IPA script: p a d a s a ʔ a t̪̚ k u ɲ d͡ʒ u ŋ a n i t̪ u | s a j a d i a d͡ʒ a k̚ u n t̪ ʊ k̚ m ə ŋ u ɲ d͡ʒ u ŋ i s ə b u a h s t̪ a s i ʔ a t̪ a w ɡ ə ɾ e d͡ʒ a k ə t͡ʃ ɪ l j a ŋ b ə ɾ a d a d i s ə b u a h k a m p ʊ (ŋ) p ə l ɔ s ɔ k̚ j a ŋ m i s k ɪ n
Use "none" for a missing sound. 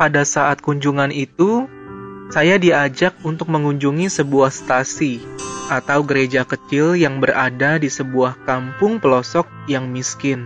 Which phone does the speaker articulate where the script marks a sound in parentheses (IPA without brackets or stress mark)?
ŋ